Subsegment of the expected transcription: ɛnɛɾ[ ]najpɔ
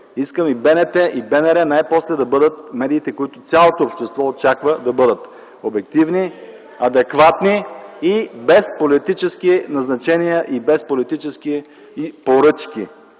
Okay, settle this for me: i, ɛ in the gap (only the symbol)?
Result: ɛ